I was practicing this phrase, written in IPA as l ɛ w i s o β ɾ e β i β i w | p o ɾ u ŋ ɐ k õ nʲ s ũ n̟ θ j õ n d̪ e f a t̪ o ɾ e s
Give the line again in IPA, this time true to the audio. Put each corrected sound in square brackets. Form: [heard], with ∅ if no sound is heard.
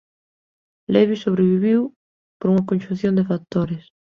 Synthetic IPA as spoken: l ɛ [β] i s o β ɾ e β i β i w | p o ɾ u ŋ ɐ k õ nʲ [ʃ] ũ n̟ θ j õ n d̪ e f a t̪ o ɾ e s